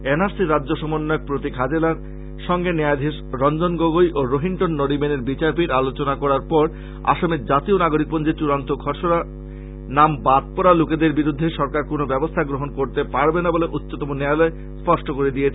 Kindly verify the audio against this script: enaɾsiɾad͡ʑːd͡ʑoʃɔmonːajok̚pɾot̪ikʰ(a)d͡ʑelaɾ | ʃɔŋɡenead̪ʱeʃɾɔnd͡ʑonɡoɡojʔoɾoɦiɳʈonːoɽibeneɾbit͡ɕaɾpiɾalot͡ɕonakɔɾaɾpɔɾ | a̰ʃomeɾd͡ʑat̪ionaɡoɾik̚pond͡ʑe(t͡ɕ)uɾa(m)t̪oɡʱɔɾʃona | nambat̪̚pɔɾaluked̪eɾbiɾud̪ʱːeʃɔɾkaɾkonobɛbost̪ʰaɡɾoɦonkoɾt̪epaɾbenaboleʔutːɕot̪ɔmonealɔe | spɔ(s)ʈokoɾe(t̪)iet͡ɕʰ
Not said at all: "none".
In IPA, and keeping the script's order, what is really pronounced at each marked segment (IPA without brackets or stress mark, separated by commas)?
a, t͡ɕ, n, ʃ, d̪